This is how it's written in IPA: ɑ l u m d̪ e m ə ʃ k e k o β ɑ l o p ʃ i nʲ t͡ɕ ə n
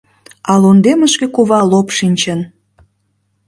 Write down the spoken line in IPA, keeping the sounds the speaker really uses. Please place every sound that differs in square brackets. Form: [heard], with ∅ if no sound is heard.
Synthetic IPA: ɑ l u [n] d̪ e m ə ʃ k e k [u] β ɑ l o p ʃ i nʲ t͡ɕ ə n